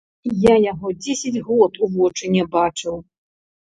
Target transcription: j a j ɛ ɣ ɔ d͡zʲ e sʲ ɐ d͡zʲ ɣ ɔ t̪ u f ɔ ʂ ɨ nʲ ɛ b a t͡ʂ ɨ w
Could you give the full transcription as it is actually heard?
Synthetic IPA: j a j a ɣ ɔ d͡zʲ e sʲ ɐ d͡zʲ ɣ ɔ t̪ u v ɔ t͡ʂ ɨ nʲ ɛ b a t͡ʂ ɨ w